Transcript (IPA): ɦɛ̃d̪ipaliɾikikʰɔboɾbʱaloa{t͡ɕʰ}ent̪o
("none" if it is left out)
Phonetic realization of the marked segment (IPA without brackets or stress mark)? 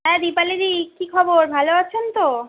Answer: t͡ɕʰ